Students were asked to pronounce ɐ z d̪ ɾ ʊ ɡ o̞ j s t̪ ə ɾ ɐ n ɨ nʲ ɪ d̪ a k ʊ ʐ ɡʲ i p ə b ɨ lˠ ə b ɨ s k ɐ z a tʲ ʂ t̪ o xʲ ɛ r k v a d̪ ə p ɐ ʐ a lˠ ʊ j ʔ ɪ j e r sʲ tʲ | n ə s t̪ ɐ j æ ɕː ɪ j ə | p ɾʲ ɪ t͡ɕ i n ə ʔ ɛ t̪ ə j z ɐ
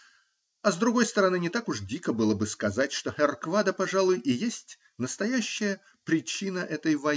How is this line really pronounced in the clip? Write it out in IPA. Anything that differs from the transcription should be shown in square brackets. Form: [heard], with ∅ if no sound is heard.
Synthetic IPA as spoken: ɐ z d̪ ɾ ʊ ɡ o̞ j s t̪ ə ɾ ɐ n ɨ nʲ ɪ [t̪] a k ʊ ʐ [dʲ] i [k] ə b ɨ lˠ ə b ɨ s k ɐ z a tʲ ʂ t̪ o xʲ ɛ r k v a d̪ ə p ɐ ʐ a lˠ ʊ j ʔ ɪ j e [∅] sʲ tʲ | n ə s t̪ ɐ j æ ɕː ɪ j ə | p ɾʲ ɪ t͡ɕ i n ə ʔ ɛ t̪ ə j [v] ɐ